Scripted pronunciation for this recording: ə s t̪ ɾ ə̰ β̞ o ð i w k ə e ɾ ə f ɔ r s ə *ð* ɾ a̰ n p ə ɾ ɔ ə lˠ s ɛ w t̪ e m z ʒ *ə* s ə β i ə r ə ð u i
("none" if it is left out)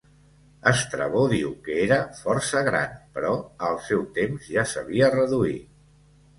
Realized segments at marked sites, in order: ɣ, a

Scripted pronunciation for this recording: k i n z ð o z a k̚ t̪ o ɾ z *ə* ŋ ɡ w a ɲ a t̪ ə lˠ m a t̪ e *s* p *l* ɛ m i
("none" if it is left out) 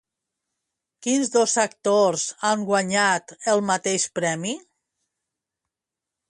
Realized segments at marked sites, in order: a, ʃ, ɾ

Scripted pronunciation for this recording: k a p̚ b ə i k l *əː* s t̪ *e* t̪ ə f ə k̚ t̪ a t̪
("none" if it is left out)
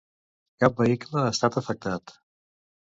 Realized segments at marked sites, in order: əː, a

